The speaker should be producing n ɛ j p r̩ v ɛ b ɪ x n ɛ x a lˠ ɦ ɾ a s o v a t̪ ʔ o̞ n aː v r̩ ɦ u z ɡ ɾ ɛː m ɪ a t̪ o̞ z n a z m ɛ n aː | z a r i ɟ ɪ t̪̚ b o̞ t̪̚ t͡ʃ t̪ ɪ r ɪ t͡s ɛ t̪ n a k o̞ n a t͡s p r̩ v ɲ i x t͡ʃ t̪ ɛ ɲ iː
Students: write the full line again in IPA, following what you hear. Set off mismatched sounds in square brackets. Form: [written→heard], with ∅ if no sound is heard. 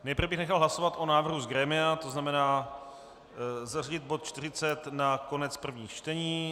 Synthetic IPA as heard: n ɛ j p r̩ v ɛ b ɪ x n ɛ x a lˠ ɦ [ɾ→l] a s o v a t̪ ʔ o̞ n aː v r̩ ɦ u z ɡ ɾ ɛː m ɪ a t̪ o̞ z n a [z→∅] m ɛ n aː | z a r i ɟ ɪ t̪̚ b o̞ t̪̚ t͡ʃ t̪ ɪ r ɪ t͡s ɛ t̪ n a k o̞ n [a→ɛ] t͡s p r̩ v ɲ [i→iː] x t͡ʃ t̪ ɛ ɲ iː